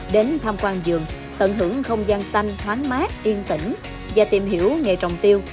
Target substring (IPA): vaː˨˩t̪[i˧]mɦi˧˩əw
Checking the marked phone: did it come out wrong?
yes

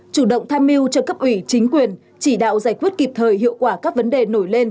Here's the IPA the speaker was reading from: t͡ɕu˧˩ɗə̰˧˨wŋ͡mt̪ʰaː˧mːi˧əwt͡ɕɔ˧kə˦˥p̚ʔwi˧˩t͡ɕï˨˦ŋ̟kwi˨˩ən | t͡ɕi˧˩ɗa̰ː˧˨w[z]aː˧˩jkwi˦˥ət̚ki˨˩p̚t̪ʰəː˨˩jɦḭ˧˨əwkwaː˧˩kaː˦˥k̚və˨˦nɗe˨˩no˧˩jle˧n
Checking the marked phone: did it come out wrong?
no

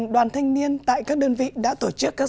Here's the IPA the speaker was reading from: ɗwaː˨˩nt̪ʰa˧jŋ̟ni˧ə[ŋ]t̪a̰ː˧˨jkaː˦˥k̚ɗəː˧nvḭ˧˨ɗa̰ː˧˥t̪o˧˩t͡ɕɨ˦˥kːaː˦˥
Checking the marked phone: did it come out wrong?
yes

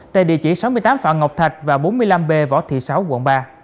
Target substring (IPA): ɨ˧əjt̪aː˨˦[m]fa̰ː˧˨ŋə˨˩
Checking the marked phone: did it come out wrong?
no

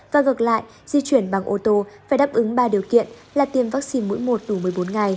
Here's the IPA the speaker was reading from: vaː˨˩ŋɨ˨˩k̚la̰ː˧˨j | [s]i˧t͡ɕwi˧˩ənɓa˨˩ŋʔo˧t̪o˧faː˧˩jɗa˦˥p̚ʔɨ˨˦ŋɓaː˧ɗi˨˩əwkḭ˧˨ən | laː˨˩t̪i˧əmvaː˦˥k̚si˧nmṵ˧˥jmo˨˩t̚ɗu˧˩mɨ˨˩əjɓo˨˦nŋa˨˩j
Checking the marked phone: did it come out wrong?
yes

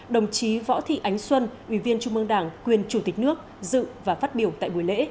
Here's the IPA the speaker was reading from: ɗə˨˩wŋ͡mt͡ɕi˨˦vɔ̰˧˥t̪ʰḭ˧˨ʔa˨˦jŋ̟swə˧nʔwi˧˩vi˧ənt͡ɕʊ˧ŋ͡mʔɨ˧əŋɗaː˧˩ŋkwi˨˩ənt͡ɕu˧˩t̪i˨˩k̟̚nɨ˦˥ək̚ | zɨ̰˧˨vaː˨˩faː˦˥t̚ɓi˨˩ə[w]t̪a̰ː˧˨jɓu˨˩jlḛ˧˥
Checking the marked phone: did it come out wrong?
no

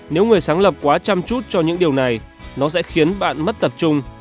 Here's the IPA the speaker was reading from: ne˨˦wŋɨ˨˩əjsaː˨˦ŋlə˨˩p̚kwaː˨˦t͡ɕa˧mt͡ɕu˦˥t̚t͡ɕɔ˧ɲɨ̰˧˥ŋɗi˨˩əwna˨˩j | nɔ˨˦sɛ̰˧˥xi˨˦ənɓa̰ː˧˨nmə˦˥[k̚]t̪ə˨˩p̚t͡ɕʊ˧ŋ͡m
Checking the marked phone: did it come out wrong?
yes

